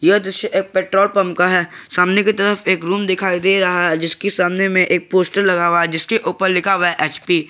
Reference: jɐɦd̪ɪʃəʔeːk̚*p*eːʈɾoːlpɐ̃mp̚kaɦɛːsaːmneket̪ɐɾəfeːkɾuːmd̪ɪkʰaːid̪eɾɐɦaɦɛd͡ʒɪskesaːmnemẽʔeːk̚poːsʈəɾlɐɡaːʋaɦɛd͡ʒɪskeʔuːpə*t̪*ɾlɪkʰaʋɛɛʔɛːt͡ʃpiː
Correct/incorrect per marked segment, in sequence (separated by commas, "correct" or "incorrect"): correct, incorrect